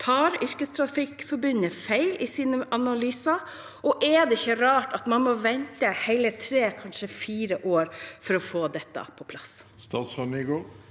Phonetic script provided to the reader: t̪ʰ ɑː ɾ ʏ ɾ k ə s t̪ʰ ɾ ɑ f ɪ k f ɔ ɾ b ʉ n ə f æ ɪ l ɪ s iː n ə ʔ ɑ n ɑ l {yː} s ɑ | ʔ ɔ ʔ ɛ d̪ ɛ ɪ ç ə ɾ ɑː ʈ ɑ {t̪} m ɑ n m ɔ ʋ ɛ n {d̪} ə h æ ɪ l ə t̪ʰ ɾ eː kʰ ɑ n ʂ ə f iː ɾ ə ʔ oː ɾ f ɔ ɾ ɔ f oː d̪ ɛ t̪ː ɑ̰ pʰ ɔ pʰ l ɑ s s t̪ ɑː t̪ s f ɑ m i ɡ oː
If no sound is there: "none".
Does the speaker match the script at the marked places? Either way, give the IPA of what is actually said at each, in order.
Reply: yː, t̪, t̪

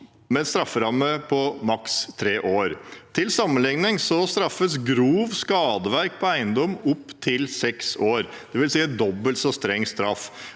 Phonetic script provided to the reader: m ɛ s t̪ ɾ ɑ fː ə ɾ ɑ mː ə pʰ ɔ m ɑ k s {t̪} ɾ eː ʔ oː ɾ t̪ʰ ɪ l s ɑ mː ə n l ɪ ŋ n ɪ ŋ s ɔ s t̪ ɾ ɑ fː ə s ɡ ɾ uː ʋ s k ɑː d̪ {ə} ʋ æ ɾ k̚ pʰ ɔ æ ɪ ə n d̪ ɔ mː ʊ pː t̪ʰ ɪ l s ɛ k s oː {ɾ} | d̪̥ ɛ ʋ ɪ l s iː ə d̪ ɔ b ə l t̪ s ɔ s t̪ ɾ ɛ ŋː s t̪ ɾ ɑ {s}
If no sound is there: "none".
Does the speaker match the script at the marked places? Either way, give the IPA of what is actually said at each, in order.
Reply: t̪ʰ, ə, ɾ, f

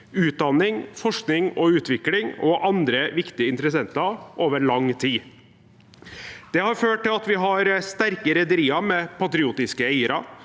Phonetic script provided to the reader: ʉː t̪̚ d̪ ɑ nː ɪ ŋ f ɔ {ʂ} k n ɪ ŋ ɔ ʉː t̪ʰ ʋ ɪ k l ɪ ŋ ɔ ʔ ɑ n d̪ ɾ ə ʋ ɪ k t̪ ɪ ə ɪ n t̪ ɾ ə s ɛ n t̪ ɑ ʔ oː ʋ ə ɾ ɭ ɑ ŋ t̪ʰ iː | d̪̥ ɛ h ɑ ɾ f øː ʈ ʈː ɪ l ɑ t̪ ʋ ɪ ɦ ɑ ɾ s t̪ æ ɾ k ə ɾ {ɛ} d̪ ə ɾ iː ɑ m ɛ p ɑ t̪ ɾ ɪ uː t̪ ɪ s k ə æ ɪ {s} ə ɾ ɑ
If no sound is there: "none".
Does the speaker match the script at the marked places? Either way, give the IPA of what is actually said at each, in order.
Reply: ʂ, ɛ, none

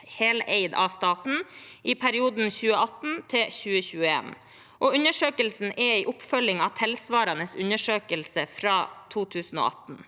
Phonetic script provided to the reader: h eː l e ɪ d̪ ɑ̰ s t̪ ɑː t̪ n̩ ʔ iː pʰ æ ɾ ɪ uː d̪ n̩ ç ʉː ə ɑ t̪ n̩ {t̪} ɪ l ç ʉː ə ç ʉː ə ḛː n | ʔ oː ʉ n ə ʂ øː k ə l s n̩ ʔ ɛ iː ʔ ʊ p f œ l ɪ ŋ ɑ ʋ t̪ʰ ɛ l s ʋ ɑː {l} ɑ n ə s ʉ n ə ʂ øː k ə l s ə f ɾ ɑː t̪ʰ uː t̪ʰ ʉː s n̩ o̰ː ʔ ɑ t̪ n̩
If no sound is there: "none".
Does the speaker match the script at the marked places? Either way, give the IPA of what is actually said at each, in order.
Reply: t̪ʰ, ɾ

